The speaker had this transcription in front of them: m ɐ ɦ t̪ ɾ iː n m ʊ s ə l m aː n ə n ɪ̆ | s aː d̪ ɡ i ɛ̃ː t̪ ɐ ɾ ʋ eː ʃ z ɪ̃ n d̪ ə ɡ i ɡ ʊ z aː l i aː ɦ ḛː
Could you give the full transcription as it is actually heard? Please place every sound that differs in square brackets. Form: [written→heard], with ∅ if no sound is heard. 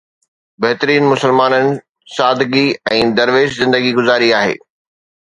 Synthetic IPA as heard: [m→b] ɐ ɦ t̪ ɾ iː n m ʊ s ə l m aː n ə n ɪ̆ | s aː d̪ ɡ i ɛ̃ː [t̪→d̪] ɐ ɾ ʋ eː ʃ z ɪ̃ n d̪ ə ɡ i ɡ ʊ z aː [l→ɾ] i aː ɦ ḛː